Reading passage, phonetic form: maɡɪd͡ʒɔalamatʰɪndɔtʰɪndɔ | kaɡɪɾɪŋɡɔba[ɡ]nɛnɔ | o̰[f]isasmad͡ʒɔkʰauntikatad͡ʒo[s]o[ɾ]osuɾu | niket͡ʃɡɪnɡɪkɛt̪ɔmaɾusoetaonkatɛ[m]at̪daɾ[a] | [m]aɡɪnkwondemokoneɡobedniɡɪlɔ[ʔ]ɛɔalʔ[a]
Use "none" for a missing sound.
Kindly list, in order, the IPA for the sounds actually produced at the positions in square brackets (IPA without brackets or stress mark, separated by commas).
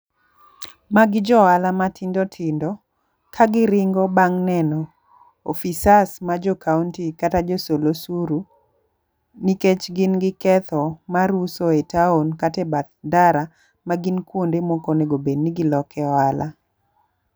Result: ŋ, f, s, l, b, a, m, k, a